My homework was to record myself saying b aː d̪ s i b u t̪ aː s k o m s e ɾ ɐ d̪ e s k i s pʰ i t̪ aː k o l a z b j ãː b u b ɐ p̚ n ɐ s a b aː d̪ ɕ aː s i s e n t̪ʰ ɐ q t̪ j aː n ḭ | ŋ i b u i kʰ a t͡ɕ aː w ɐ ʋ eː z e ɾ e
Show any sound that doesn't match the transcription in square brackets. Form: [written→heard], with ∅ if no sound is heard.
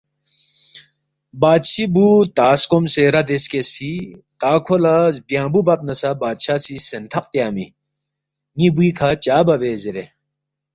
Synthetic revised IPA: b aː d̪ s i b u t̪ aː s k o m s e ɾ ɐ d̪ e s k [i→e] s pʰ i t̪ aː [k→kʰ] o l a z b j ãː b u b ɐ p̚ n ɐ s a b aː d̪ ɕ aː s i s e n t̪ʰ ɐ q t̪ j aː [n→m] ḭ | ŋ i b u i kʰ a t͡ɕ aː [w→b] ɐ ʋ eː z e ɾ e